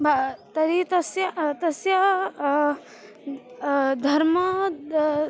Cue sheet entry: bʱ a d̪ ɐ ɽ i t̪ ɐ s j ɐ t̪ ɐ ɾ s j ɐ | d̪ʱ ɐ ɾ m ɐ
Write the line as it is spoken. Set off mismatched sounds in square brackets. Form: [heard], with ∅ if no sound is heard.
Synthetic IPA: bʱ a [t̪] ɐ [ɾ] i t̪ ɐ s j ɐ t̪ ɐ [∅] s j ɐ | d̪ʱ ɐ ɾ m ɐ